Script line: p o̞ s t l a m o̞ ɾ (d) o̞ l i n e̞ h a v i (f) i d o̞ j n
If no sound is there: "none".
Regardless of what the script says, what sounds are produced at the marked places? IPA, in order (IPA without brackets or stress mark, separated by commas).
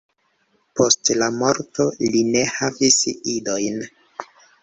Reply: t, s